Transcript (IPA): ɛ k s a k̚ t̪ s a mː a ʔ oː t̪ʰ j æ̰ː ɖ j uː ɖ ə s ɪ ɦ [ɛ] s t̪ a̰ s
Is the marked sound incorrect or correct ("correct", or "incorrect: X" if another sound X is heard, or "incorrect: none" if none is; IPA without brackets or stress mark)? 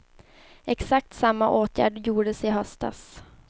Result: incorrect: œ